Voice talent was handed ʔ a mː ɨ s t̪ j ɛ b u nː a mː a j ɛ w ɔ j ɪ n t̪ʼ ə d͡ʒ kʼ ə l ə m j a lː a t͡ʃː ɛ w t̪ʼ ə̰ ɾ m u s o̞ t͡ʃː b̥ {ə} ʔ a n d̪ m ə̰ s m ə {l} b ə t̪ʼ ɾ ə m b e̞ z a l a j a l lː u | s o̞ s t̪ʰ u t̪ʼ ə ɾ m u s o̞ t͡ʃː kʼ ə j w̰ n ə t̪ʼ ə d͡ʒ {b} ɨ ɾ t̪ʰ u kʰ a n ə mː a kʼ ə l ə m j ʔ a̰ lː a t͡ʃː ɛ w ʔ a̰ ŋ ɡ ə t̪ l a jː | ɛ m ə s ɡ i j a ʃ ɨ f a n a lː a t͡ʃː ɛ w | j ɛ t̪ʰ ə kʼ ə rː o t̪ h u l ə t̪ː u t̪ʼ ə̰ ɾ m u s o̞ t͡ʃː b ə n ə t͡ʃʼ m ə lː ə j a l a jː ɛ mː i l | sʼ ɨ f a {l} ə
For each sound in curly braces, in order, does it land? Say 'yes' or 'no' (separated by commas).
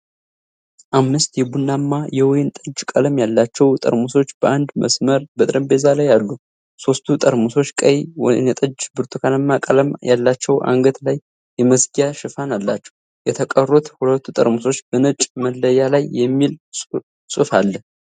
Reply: yes, no, yes, no